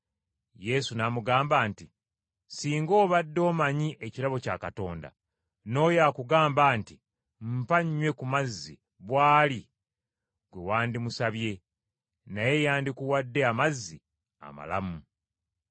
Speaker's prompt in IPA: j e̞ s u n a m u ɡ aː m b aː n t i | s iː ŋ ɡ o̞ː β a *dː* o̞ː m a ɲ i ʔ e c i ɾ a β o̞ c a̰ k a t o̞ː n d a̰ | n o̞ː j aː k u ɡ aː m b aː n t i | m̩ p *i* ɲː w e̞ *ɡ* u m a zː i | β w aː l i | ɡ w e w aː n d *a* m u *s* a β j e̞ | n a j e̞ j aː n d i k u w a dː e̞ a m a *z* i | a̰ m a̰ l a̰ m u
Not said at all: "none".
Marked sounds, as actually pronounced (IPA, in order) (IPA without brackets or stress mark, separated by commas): dː, a, k, i, s, zː